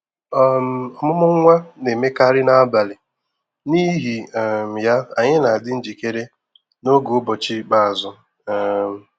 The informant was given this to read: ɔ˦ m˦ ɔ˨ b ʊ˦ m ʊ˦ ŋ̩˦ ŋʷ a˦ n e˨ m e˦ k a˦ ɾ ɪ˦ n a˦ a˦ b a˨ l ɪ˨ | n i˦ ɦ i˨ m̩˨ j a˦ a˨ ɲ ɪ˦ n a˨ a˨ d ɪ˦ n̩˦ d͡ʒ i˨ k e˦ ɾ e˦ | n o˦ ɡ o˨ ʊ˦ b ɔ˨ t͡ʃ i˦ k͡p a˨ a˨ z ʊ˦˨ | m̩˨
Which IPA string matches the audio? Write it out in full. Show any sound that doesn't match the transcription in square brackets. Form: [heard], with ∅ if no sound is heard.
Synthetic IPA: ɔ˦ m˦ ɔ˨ [m] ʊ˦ m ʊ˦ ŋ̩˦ ŋʷ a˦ n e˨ m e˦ k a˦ ɾ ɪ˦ n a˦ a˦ b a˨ l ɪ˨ | n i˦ ɦ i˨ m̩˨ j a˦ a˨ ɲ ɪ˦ n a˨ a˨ d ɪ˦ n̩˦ d͡ʒ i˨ k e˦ ɾ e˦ | n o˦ ɡ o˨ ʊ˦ b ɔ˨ t͡ʃ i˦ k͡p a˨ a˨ z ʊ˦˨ | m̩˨